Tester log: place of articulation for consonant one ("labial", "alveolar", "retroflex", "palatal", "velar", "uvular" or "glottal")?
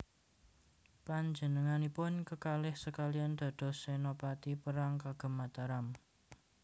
labial